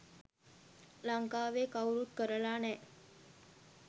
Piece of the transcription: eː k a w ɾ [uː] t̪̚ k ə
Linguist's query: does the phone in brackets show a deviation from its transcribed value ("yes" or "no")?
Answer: yes